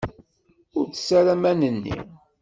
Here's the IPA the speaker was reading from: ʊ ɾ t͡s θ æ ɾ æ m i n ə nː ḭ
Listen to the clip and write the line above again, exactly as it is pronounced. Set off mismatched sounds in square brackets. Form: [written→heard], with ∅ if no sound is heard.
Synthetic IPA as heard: ʊ ɾ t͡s [θ→s] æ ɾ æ m [i→æ] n ə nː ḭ